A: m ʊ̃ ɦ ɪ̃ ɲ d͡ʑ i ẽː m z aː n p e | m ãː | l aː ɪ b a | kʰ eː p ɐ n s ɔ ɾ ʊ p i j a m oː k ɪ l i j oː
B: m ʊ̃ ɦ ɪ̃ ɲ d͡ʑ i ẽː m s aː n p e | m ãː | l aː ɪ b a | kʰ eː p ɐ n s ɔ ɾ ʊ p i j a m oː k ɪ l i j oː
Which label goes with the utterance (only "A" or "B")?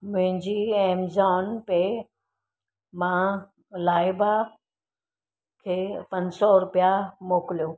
A